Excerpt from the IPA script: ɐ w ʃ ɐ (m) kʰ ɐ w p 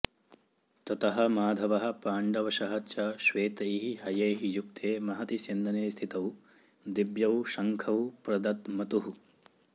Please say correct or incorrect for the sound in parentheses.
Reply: incorrect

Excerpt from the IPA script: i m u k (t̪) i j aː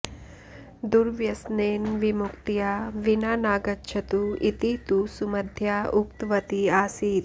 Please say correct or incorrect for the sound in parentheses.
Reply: correct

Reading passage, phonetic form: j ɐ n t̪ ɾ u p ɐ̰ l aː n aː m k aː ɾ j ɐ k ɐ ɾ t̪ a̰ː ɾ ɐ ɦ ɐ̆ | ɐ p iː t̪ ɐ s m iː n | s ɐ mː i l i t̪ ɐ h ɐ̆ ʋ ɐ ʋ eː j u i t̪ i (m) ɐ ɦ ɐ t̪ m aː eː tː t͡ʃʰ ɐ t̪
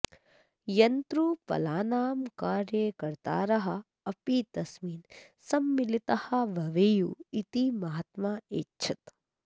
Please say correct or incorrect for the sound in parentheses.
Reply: correct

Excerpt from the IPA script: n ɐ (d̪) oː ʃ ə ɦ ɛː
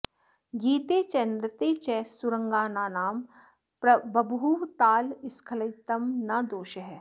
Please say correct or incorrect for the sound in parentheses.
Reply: correct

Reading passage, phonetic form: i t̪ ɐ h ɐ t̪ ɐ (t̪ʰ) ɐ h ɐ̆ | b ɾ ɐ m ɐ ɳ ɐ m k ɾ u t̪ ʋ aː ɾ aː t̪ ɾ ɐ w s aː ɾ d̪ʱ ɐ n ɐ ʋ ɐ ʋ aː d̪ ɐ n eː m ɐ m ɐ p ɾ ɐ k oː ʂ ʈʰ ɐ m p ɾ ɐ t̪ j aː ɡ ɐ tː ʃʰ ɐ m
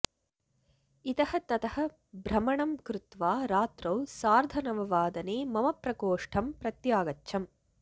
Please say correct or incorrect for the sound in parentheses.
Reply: incorrect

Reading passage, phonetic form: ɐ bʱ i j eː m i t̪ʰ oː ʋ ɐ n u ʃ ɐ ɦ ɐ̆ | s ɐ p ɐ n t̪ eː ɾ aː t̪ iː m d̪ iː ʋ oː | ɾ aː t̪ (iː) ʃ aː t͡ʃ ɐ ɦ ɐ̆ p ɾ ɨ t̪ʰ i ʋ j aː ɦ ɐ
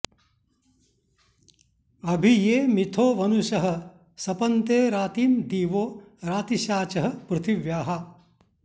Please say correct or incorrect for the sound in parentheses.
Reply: incorrect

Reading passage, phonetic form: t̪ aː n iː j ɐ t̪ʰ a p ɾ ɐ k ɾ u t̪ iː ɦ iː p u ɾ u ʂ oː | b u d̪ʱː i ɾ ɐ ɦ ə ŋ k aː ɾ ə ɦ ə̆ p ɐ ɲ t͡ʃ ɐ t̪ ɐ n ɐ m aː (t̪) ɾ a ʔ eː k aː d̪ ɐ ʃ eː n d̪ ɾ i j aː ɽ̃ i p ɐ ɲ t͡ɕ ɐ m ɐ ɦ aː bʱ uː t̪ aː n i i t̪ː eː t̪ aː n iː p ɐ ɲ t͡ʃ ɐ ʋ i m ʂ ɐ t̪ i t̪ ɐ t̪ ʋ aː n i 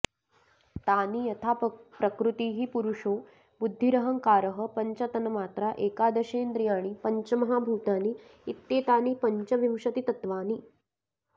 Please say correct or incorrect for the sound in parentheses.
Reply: correct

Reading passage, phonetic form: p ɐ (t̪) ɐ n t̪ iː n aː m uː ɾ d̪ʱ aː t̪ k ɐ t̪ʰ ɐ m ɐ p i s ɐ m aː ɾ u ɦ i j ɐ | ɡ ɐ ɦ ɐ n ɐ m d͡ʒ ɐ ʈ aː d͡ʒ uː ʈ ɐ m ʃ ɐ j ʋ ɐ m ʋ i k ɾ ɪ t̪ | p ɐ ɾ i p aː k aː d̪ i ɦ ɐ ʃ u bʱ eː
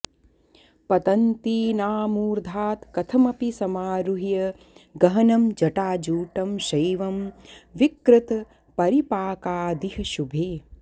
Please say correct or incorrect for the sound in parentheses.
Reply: correct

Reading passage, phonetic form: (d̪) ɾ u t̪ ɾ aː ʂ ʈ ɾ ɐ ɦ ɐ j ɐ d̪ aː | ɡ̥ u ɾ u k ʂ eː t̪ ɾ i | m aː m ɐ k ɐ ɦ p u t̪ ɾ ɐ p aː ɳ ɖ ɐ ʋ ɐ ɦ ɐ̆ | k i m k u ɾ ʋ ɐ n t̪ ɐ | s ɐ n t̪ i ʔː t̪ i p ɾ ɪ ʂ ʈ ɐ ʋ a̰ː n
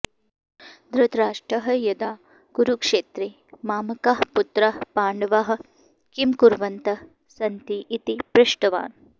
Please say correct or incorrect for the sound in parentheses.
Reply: correct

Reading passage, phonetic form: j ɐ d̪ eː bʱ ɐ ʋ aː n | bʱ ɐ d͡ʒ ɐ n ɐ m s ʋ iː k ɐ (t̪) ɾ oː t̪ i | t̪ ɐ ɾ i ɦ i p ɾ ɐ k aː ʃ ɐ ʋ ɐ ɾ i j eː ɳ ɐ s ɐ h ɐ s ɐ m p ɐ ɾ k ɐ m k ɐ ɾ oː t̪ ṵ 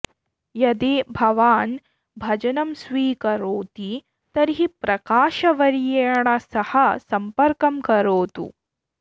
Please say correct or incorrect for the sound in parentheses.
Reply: incorrect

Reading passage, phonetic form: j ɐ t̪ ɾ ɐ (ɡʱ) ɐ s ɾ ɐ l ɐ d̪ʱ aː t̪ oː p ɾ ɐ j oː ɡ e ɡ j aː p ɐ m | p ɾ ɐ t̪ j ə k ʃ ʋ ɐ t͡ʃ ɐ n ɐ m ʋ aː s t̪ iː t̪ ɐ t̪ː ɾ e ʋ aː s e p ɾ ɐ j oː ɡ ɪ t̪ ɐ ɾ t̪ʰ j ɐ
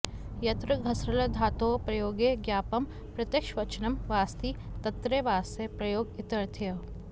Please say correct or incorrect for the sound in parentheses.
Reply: correct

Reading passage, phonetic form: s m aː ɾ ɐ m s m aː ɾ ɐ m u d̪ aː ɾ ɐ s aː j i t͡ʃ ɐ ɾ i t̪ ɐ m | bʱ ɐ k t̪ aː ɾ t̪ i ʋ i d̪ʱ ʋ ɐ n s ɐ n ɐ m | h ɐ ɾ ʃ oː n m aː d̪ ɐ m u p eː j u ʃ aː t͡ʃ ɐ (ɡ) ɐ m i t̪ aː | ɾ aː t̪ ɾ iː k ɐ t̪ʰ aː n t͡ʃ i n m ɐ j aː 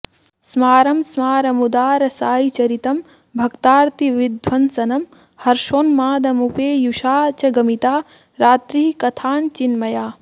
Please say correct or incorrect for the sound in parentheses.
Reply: correct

